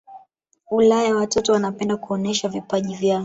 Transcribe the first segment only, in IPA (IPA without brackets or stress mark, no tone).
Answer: u